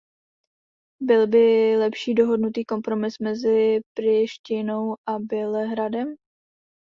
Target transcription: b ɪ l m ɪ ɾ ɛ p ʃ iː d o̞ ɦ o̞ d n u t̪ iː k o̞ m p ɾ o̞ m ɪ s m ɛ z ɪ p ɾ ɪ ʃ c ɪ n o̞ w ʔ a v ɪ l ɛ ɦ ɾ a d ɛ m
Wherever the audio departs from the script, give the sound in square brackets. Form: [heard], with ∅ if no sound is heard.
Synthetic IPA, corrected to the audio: b ɪ l [b] ɪ [l] ɛ p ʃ iː d o̞ ɦ o̞ d n u t̪ iː k o̞ m p ɾ o̞ m ɪ s m ɛ z ɪ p ɾ ɪ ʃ c ɪ n o̞ w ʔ a [b] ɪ l ɛ ɦ ɾ a d ɛ m